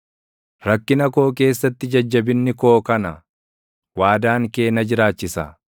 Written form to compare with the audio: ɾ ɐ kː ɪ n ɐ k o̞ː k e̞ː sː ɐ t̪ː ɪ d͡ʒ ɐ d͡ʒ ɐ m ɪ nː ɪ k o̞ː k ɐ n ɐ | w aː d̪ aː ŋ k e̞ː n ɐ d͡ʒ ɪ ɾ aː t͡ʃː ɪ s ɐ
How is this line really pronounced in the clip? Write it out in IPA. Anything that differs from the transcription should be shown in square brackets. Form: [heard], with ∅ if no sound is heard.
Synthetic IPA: ɾ ɐ kː ɪ n ɐ k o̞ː k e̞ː sː ɐ t̪ː ɪ d͡ʒ ɐ [d͡ʒː] ɐ [b] ɪ nː ɪ k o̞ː k ɐ n ɐ | w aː d̪ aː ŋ k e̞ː n ɐ d͡ʒ ɪ ɾ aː t͡ʃː ɪ s ɐ